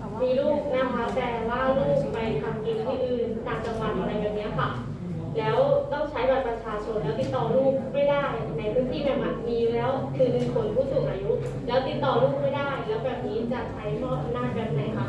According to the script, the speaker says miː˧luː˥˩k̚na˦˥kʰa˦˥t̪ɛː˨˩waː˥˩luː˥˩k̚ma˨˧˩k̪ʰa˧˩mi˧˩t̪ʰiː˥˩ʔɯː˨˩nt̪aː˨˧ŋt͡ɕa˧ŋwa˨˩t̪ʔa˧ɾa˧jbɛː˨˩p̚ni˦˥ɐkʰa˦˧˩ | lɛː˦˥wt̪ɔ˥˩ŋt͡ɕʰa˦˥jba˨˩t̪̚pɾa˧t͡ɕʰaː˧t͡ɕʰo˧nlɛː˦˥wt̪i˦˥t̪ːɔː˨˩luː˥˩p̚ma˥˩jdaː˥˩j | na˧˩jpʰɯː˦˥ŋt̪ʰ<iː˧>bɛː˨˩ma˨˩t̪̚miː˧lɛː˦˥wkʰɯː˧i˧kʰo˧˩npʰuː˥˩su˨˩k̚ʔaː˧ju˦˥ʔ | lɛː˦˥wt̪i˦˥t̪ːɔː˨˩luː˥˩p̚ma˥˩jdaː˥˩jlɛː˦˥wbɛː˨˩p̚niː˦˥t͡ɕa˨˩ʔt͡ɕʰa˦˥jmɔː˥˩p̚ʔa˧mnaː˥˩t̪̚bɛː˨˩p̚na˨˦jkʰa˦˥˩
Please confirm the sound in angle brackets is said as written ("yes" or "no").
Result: no